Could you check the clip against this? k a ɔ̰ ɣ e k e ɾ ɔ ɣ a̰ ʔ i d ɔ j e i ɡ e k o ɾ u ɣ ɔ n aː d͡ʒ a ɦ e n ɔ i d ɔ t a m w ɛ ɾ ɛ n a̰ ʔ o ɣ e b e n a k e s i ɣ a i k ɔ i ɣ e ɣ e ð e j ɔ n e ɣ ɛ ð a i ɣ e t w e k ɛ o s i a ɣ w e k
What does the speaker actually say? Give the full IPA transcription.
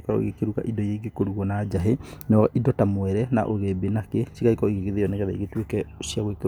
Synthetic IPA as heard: k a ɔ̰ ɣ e k e ɾ u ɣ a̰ ʔ i d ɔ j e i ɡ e k o ɾ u ɣ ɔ n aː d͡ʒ a ɦ e n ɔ i d ɔ t a m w ɛ ɾ ɛ n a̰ ʔ o ɣ e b e n a k e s i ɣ a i k ɔ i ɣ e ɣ e ð e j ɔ n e ɣ ɛ ð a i ɣ e t w e k ɛ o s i a ɣ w e k